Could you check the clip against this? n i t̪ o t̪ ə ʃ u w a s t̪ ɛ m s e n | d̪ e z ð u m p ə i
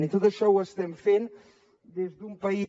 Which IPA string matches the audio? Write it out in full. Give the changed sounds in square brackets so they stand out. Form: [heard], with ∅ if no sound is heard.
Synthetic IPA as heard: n i t̪ o t̪ ə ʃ [ɔ] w [ə] s t̪ ɛ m [f] e n | d̪ e z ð u m p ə i